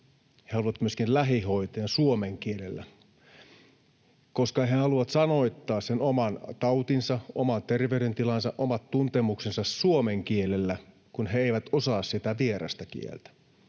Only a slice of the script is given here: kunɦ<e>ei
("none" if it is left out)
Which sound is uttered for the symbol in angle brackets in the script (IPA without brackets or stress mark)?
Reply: e